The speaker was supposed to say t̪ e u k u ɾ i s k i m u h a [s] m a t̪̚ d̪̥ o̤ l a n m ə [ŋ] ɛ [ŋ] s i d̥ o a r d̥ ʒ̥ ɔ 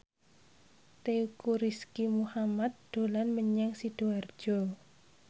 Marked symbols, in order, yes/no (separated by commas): no, no, yes